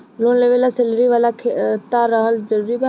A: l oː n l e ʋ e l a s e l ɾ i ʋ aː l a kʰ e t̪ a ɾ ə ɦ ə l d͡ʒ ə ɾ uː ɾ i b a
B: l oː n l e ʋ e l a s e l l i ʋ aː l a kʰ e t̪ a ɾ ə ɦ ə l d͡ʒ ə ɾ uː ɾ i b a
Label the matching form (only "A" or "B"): A